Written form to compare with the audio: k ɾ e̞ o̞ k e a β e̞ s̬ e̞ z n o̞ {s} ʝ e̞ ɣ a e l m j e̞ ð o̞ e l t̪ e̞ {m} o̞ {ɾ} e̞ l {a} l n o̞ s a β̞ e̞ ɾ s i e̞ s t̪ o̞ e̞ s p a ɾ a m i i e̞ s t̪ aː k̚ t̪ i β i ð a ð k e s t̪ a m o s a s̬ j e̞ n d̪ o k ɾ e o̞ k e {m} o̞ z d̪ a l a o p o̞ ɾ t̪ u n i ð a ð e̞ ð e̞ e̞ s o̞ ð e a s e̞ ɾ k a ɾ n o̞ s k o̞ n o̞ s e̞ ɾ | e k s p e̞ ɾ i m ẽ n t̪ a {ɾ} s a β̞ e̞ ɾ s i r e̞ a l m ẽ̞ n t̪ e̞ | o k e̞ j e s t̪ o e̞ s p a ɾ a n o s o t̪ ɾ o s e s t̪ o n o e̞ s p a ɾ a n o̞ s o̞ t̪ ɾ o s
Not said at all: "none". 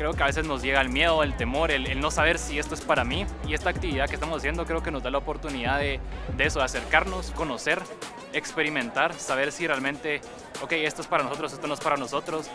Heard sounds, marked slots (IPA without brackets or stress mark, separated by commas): z, m, ɾ, e, n, ɾ